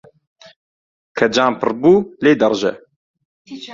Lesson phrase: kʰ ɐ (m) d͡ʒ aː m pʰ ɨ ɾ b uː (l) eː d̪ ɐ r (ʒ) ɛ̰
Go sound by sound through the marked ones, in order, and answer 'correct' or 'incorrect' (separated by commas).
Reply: incorrect, correct, correct